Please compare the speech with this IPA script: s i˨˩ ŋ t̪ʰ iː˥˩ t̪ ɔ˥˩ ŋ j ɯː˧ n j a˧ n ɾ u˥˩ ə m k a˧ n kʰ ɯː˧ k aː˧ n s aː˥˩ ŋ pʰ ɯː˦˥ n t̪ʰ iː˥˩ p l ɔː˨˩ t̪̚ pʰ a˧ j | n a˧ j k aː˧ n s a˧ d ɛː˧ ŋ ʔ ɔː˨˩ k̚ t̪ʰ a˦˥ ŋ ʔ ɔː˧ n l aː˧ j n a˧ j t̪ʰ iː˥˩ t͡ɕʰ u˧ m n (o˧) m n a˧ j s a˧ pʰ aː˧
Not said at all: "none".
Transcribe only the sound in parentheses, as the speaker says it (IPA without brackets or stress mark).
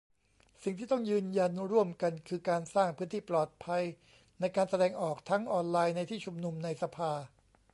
u˧